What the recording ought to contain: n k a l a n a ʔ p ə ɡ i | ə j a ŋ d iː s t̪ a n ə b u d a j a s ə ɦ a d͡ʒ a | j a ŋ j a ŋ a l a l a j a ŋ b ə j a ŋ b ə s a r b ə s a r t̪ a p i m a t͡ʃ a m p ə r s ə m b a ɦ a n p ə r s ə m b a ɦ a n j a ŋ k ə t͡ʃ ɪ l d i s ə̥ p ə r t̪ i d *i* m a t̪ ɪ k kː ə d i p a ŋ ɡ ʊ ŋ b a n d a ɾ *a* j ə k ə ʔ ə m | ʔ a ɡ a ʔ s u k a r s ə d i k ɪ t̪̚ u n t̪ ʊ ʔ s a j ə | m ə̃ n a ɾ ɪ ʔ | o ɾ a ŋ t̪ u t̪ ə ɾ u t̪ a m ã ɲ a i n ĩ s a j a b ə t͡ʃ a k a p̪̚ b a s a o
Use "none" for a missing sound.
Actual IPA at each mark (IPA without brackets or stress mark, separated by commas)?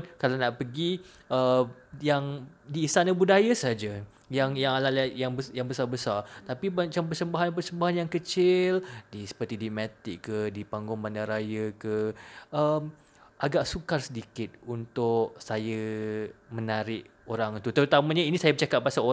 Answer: i, a